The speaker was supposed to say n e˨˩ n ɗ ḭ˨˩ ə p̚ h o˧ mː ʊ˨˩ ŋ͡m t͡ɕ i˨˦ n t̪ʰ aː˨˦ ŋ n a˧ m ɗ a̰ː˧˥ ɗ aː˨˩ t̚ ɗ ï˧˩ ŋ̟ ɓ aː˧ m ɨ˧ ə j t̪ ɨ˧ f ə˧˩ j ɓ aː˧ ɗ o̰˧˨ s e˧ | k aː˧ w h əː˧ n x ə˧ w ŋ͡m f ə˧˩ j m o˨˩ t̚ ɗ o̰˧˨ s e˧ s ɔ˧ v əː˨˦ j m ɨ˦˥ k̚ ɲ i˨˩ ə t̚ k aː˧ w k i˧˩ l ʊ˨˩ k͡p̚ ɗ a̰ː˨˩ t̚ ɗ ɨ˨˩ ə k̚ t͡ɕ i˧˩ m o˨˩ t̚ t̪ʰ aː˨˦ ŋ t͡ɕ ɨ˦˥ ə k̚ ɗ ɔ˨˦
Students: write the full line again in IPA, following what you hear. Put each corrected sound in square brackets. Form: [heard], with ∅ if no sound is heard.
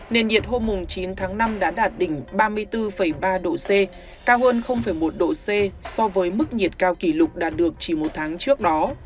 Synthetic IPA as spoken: n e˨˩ n ɗ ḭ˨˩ ə [t̚] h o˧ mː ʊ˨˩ ŋ͡m t͡ɕ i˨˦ n t̪ʰ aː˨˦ ŋ n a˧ m ɗ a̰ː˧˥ ɗ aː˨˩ t̚ ɗ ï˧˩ ŋ̟ ɓ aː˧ m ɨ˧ ə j t̪ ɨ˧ f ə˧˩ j ɓ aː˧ ɗ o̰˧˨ s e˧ | k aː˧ w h əː˧ n x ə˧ w ŋ͡m f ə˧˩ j m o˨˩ t̚ ɗ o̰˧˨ s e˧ s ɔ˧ v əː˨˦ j m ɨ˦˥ k̚ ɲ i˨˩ ə t̚ k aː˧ w k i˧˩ l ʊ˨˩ k͡p̚ ɗ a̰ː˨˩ t̚ ɗ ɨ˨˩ ə k̚ t͡ɕ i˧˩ m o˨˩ t̚ t̪ʰ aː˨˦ ŋ t͡ɕ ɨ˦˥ ə k̚ ɗ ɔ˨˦